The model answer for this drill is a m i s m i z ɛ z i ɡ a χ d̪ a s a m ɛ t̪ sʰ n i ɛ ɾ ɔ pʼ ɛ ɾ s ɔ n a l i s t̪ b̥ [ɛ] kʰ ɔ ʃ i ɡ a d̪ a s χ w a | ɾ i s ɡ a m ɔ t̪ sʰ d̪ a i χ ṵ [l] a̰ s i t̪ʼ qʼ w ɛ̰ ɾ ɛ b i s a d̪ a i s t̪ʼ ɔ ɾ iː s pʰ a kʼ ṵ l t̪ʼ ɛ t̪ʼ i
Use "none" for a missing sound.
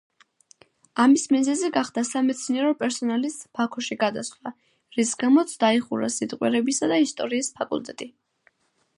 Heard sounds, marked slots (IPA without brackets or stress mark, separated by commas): a, ɾ